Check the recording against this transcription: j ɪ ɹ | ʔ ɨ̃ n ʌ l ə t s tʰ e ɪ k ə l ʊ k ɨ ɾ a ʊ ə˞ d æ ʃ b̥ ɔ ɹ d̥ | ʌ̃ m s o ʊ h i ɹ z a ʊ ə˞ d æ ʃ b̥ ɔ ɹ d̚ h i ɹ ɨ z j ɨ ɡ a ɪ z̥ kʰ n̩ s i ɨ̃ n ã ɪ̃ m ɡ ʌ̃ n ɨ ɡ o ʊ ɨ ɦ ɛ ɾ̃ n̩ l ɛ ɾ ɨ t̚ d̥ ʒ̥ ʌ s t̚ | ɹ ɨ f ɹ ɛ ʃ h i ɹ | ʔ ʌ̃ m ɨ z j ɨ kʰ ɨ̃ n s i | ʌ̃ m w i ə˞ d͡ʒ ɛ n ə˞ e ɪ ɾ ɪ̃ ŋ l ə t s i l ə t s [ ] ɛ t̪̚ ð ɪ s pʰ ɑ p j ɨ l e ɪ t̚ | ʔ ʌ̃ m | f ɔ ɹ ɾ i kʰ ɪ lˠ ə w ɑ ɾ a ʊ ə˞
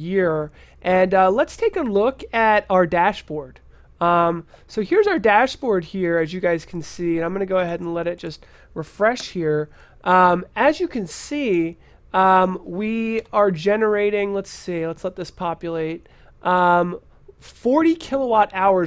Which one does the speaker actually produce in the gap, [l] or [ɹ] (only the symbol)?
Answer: l